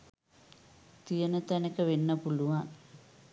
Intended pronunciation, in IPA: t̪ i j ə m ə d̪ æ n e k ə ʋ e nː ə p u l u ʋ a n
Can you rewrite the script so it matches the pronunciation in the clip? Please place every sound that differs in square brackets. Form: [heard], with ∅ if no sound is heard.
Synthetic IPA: t̪ i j ə [n] ə [t̪] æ n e k ə ʋ e nː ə p u l u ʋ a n